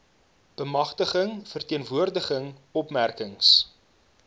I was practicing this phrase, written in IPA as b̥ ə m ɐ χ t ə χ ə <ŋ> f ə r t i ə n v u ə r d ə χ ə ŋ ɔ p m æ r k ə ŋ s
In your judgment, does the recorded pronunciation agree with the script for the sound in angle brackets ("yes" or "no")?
yes